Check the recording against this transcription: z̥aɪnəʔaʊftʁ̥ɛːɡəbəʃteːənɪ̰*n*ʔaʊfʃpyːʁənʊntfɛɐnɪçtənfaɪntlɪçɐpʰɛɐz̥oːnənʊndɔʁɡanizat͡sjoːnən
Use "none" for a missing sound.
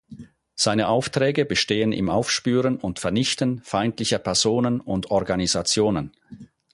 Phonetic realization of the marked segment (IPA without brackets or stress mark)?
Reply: m